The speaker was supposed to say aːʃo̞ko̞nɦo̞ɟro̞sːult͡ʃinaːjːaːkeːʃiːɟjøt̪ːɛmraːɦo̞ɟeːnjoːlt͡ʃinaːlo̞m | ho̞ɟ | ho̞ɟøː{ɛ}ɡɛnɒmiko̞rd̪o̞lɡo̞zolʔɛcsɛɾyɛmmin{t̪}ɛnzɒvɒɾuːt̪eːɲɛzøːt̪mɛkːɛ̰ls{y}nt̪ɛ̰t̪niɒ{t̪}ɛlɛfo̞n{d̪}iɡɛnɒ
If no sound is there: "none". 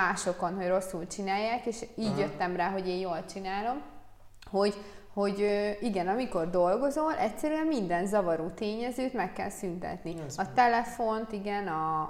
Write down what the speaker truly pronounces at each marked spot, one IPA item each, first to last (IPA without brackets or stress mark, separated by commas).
i, d̪, y, t̪, t̪